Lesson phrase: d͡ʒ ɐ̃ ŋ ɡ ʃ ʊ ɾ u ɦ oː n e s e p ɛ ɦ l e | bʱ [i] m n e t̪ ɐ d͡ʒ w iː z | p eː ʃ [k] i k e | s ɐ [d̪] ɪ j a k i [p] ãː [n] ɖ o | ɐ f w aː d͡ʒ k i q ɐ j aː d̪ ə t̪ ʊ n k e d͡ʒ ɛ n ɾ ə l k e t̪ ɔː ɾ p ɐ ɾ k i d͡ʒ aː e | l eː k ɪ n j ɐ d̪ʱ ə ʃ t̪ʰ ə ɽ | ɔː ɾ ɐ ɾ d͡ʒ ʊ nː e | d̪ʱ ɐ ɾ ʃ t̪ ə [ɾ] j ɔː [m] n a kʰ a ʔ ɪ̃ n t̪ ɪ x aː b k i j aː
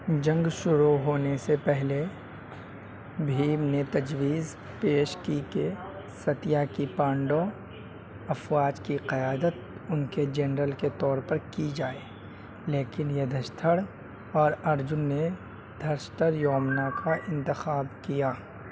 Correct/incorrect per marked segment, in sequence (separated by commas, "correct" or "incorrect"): incorrect, correct, incorrect, correct, incorrect, correct, correct